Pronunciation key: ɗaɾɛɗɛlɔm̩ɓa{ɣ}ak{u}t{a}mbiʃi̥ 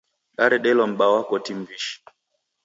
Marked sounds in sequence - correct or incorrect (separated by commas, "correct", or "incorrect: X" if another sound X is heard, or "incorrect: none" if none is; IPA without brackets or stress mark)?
incorrect: w, incorrect: ɔ, incorrect: i